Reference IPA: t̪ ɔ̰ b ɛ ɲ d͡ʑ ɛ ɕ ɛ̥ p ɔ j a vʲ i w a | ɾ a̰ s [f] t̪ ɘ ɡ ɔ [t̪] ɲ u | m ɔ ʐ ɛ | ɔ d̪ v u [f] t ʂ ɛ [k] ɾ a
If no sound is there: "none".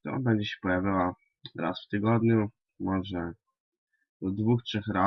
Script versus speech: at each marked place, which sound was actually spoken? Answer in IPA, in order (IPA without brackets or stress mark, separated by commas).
f, d̪, x, x